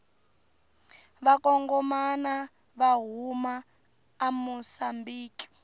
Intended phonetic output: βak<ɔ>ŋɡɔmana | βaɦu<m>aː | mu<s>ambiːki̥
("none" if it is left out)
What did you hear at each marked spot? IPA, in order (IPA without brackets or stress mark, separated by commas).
ɔ, m, s